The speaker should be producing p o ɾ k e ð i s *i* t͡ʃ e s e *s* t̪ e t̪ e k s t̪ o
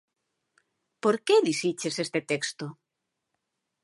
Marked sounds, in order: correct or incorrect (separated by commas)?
correct, correct